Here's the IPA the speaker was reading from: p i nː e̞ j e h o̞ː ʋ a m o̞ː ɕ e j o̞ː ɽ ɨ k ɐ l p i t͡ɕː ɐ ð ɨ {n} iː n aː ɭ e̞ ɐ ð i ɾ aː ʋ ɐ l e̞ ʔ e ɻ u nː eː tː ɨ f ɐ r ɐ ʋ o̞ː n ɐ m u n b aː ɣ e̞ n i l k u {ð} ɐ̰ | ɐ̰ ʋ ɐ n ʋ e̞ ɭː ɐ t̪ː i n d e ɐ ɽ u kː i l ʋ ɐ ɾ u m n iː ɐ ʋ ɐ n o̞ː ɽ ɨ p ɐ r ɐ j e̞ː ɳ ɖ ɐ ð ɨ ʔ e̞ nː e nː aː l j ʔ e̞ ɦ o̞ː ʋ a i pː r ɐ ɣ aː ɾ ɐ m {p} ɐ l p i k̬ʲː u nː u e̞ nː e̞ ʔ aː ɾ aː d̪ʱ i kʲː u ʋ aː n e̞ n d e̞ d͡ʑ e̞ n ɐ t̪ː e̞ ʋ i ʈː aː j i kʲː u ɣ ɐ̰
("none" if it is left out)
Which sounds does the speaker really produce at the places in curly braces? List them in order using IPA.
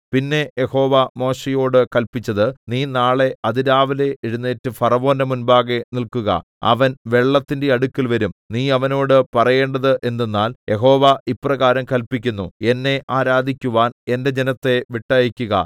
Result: n, ɣ, k

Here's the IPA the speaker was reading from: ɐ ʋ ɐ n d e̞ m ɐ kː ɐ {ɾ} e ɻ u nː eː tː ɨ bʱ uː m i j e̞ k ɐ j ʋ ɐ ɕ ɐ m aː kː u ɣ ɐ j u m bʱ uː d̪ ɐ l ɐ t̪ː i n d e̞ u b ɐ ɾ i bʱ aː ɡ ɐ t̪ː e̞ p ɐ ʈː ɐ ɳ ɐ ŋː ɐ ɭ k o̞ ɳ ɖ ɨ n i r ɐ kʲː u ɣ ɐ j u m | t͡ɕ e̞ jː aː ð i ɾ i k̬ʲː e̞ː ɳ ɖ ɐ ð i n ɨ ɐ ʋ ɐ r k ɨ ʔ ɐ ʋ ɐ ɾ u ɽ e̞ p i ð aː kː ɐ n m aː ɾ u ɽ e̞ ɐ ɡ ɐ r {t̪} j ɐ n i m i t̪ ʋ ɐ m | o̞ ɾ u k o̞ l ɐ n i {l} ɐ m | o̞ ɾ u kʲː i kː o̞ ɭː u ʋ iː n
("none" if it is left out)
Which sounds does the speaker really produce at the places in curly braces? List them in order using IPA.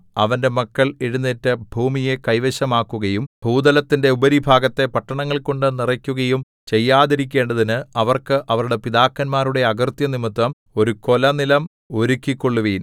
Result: ɭ, t̪, l

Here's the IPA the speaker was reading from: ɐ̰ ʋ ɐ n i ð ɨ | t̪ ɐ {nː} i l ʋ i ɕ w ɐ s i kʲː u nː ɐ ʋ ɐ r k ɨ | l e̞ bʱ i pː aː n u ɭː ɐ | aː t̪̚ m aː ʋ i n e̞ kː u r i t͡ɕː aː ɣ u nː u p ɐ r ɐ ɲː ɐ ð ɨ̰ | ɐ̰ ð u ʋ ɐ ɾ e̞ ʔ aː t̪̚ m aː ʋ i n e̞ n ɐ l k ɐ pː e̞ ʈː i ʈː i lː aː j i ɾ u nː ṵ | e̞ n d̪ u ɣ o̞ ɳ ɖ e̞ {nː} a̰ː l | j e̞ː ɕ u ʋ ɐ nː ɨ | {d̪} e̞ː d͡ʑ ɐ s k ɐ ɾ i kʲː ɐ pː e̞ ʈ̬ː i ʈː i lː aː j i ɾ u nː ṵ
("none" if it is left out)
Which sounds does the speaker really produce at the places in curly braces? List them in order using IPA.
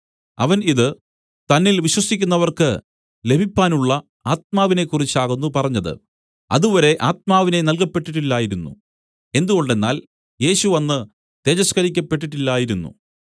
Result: nː, nː, t̪

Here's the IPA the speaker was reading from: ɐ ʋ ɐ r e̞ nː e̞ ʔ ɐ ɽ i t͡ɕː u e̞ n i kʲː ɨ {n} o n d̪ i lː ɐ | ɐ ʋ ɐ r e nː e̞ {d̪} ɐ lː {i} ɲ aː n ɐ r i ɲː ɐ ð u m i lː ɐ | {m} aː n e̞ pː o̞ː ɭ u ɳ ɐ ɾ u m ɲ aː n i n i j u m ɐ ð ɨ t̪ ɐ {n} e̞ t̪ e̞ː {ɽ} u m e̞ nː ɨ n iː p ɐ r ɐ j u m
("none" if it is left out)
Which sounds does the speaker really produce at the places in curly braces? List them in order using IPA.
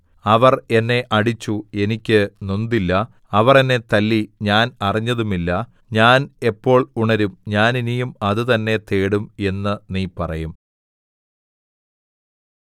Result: n, t̪, i, ɲ, nː, ɽ

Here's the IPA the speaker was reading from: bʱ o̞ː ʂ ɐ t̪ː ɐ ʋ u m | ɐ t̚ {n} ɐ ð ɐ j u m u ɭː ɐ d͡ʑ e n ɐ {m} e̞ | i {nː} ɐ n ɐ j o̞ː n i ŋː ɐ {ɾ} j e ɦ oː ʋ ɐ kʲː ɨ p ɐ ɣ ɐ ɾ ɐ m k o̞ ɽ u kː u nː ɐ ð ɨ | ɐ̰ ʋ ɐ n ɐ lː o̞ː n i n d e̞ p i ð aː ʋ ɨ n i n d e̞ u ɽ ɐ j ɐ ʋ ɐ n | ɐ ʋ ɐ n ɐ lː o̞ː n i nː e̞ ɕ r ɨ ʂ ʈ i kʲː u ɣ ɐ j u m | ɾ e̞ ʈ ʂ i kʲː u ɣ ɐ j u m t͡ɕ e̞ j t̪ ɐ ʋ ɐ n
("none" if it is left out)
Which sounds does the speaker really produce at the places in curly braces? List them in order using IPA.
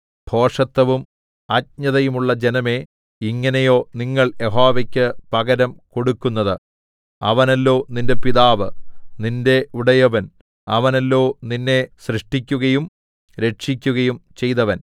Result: ɲ, m, ŋː, ɭ

